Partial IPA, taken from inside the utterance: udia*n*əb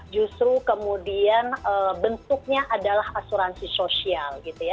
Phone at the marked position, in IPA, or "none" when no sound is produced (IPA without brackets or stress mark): n